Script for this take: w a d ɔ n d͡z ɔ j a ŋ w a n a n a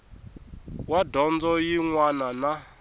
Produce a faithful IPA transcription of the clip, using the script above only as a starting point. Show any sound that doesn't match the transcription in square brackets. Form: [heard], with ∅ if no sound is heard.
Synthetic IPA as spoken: w a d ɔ n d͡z ɔ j [i] ŋ w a n a n a